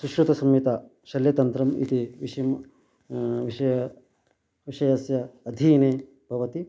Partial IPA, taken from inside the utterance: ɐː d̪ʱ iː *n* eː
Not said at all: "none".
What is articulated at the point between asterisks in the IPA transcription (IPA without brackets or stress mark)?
n